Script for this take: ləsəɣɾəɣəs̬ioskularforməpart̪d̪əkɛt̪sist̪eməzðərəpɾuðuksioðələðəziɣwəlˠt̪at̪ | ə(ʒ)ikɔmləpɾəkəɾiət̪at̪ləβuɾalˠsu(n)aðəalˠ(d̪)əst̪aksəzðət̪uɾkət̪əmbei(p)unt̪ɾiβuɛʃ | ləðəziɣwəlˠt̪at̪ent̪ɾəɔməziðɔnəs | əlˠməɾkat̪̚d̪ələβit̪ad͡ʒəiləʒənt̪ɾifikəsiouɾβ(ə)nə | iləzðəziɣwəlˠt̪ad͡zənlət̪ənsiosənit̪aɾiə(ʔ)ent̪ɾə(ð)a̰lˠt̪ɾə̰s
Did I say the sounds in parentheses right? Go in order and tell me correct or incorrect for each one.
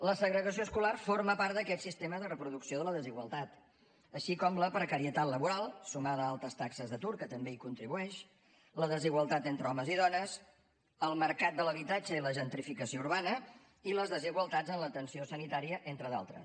incorrect: ʃ, incorrect: m, incorrect: t̪, incorrect: k, incorrect: a, correct, correct

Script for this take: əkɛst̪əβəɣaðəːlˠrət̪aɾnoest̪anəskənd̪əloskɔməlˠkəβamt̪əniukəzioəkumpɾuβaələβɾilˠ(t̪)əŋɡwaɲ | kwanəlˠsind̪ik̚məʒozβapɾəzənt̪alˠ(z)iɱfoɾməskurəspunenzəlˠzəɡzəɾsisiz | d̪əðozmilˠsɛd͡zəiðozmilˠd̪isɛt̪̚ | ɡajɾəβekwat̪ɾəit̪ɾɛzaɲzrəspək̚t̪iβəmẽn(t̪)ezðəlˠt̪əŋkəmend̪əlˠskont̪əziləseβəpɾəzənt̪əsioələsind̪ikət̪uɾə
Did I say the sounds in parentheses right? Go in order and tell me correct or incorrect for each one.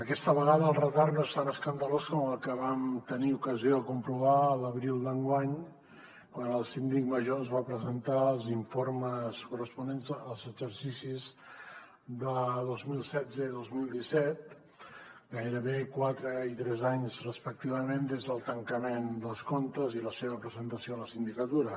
incorrect: d̪, correct, incorrect: d̪

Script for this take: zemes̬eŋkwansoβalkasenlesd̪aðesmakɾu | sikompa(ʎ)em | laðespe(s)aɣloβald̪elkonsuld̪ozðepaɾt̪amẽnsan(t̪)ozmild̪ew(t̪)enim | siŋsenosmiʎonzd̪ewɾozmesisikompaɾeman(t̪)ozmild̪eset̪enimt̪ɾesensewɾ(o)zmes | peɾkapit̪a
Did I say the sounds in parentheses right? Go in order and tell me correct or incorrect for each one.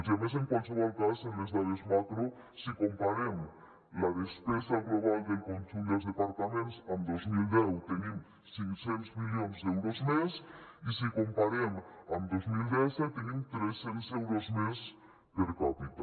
incorrect: ɾ, correct, incorrect: d̪, correct, incorrect: d̪, correct

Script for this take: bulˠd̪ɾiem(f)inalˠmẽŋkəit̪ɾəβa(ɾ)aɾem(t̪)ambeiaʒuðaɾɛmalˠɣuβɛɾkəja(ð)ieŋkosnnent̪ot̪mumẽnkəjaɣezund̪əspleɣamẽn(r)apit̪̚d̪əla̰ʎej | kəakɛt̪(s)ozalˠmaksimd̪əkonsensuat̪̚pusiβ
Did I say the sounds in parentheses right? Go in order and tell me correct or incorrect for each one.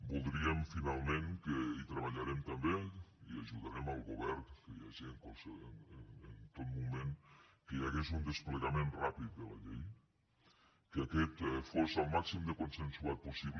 correct, incorrect: ʎ, correct, incorrect: ʒ, correct, incorrect: f

